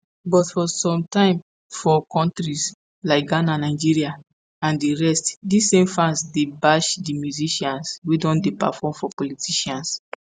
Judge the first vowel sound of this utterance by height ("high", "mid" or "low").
mid